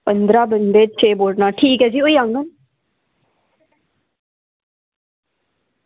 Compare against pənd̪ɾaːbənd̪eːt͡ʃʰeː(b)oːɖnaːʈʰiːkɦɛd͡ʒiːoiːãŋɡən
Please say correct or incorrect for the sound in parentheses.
correct